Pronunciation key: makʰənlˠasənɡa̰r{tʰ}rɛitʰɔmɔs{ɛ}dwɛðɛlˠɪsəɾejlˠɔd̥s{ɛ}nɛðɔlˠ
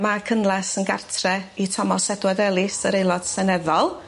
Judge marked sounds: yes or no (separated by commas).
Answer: yes, yes, yes